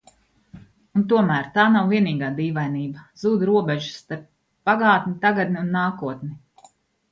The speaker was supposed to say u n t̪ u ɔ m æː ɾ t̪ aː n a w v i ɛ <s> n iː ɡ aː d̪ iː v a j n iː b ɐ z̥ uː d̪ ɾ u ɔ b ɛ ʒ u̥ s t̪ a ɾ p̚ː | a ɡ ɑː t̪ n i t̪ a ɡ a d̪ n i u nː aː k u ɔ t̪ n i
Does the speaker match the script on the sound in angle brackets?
no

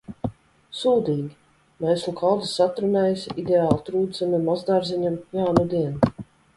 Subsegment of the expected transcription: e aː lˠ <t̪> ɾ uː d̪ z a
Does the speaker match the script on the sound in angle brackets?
yes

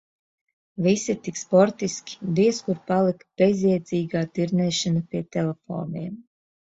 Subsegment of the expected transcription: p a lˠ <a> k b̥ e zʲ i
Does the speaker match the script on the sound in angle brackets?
no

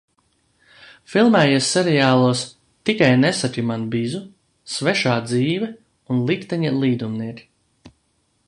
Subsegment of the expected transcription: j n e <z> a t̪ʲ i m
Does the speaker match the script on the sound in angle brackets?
no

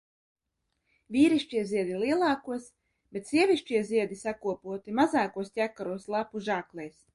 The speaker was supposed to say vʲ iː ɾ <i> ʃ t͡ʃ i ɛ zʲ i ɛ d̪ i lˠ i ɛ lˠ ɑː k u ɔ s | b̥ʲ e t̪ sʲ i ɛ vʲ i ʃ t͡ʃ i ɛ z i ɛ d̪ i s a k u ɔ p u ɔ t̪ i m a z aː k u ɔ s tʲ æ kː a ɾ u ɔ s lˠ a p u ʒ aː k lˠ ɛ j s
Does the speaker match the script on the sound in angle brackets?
yes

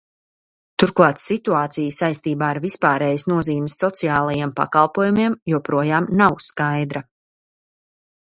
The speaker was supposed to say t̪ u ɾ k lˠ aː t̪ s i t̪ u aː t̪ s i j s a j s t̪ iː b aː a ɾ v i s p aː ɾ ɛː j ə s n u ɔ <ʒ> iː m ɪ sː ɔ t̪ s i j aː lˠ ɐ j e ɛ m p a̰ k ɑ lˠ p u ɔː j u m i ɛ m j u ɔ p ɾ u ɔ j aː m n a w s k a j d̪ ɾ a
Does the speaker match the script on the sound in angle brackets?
no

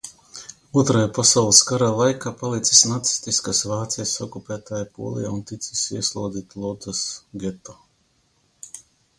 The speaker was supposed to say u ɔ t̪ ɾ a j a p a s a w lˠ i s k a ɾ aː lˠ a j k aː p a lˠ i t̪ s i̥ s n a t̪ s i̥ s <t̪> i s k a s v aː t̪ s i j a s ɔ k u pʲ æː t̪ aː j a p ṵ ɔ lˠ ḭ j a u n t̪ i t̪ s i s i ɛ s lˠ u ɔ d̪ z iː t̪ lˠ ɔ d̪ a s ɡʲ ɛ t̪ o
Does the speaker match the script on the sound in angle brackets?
yes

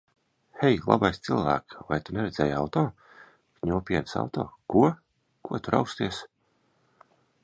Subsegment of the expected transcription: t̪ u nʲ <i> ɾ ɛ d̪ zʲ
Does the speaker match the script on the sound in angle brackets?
no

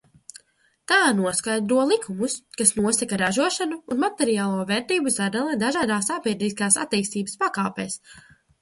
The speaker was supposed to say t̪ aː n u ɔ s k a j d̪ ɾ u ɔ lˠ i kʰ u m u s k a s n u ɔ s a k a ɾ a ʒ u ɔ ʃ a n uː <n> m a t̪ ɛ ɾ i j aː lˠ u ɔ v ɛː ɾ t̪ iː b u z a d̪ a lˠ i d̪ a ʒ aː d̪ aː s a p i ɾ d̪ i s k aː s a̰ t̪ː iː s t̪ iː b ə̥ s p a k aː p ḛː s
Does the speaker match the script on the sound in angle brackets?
yes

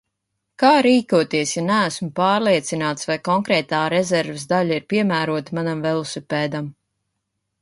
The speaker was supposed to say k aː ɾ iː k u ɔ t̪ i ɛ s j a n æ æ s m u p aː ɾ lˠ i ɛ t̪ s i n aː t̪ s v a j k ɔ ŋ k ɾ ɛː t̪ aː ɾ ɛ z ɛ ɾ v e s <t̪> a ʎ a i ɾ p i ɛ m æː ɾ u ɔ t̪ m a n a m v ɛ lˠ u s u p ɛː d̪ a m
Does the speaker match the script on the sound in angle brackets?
no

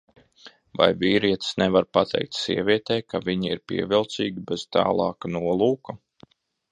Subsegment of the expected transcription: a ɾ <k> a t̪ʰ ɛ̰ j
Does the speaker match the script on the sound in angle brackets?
no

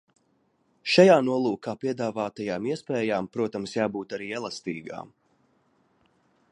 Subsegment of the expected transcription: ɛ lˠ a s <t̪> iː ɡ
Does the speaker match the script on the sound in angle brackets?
yes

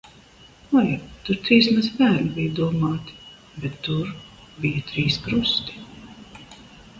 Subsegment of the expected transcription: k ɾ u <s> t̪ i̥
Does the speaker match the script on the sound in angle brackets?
yes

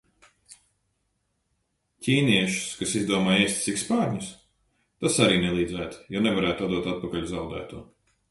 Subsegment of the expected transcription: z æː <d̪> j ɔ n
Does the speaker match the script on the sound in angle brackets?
no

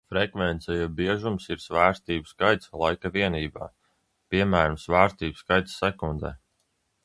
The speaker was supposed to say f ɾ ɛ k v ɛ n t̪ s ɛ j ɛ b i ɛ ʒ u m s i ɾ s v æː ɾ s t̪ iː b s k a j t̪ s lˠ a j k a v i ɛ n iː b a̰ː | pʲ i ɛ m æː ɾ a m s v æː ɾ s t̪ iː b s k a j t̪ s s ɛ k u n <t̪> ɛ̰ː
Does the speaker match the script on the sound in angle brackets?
no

